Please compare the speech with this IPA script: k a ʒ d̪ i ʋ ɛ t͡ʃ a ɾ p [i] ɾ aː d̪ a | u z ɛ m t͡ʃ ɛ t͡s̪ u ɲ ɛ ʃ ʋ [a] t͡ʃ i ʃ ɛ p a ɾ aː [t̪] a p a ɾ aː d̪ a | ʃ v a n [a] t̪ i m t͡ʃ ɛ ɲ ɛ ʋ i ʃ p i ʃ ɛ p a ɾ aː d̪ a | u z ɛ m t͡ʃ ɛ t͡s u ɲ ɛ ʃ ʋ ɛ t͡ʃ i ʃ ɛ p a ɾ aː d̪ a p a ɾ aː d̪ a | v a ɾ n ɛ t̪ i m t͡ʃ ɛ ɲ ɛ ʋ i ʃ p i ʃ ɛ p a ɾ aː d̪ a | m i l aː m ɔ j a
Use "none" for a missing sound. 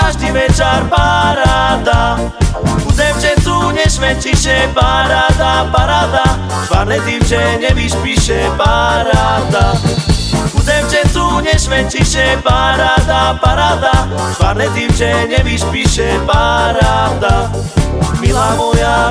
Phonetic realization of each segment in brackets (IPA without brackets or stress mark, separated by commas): a, ɛ, d̪, ɛ